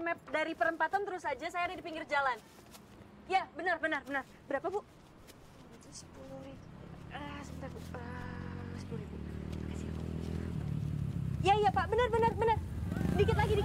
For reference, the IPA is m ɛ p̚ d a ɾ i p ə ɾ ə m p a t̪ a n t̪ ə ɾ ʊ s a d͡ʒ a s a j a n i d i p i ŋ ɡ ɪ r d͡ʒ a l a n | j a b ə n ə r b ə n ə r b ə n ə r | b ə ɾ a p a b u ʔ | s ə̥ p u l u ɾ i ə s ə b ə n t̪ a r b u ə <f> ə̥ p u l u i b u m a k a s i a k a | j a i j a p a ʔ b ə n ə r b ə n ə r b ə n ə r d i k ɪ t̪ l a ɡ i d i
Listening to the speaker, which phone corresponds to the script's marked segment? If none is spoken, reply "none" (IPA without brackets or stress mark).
s